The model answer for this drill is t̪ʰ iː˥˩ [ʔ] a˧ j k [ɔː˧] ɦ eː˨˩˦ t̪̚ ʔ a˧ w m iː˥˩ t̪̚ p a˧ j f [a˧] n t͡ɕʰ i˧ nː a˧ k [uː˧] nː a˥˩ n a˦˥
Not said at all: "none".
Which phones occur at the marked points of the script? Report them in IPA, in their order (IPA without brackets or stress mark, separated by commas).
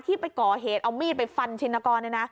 p, ɔː˨˩, a˧, ɔː˧